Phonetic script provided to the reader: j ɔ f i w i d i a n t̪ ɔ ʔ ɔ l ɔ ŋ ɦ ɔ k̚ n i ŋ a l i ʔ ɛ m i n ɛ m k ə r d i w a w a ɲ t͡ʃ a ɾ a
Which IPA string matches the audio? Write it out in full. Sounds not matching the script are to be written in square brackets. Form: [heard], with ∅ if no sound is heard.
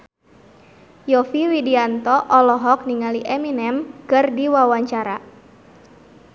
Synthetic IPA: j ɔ f i w i d i a n t̪ ɔ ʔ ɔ l ɔ [∅] ɦ ɔ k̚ n i ŋ a l i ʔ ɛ m i n ɛ m k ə r d i w a w a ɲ t͡ʃ a ɾ a